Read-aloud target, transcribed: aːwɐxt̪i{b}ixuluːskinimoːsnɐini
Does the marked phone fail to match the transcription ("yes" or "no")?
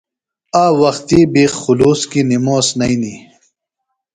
no